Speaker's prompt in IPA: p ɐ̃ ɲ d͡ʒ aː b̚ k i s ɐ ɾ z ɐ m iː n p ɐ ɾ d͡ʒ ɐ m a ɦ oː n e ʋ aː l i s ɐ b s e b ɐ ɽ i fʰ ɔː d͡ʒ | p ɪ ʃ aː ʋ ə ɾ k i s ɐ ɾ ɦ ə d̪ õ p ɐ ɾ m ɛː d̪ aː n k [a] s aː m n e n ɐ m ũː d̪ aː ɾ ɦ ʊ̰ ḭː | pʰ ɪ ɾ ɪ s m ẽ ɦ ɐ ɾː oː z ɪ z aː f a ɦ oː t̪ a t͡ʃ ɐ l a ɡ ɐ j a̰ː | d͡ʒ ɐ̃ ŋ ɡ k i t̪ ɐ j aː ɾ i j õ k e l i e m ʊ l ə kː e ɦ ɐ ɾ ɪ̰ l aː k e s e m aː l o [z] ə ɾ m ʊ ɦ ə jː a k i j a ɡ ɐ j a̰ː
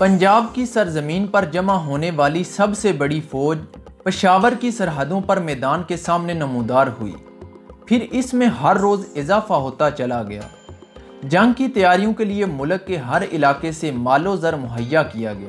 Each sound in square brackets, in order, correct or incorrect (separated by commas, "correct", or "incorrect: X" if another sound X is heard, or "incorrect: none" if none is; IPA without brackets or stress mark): incorrect: e, correct